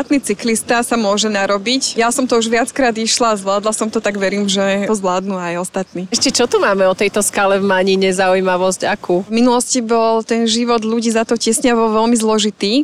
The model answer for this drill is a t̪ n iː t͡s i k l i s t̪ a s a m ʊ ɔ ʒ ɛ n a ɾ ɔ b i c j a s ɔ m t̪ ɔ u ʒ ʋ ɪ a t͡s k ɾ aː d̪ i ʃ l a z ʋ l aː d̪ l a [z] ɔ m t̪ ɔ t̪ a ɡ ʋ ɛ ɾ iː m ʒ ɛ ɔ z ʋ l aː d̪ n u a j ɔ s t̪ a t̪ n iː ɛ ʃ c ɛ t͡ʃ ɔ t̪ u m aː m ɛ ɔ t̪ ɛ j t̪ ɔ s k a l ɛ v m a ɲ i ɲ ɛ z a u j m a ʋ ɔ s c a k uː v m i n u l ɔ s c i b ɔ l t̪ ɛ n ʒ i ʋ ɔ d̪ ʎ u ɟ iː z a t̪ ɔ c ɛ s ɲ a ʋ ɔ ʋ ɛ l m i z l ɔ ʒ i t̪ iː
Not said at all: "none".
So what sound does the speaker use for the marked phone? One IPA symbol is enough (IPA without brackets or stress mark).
s